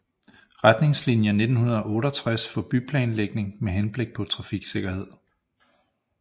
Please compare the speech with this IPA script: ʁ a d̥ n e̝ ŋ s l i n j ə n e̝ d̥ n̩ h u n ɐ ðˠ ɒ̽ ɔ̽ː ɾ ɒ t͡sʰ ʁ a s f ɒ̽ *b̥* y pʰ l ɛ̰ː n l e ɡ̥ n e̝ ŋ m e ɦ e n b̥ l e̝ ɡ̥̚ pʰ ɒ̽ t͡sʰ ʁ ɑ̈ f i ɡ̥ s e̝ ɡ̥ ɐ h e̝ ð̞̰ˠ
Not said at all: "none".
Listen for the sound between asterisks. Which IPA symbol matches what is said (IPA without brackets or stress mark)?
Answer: b̥